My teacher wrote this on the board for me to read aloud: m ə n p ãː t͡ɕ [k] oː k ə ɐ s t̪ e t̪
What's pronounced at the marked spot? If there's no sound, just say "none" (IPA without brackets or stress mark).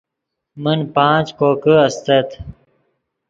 k